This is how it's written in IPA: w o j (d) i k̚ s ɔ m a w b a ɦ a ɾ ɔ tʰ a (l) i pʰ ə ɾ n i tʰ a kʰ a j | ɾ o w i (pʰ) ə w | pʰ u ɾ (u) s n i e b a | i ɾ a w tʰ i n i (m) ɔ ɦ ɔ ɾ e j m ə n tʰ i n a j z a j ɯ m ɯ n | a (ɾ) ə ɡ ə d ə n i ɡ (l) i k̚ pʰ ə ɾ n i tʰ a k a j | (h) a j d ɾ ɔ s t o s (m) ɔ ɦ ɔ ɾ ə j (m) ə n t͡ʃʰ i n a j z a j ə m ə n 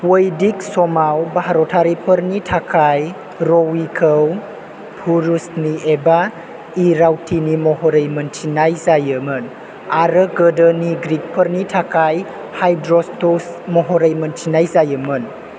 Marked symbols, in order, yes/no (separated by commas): yes, no, no, yes, yes, yes, no, yes, yes, yes